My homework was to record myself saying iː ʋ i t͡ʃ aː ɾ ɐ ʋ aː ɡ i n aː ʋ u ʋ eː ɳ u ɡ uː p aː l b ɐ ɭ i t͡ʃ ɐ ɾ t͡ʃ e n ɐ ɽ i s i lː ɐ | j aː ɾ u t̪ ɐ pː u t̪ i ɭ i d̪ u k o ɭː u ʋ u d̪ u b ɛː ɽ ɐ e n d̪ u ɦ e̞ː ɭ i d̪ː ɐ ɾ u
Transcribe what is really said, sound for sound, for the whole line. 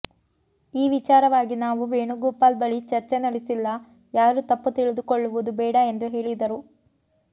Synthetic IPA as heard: iː ʋ i t͡ʃ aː ɾ ɐ ʋ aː ɡ i n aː ʋ u ʋ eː ɳ u ɡ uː p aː l b ɐ ɭ i t͡ʃ ɐ ɾ t͡ʃ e n ɐ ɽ i s i lː ɐ | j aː ɾ u t̪ ɐ pː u t̪ i ɭ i d̪ u k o ɭː u ʋ u d̪ u b ɛː ɽ ɐ e n d̪ u ɦ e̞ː ɭ i d̪ ɐ ɾ u